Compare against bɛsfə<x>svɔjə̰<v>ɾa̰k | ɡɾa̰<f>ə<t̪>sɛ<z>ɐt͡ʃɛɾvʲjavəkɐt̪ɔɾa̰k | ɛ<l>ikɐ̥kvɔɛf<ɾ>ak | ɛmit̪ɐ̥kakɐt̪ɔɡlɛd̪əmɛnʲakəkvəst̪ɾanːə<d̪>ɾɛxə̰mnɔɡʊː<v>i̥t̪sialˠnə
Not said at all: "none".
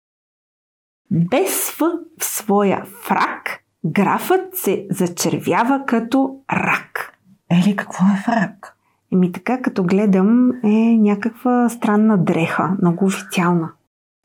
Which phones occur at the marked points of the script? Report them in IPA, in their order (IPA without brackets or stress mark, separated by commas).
f, f, f, t̪, z, l, ɾ, d̪, f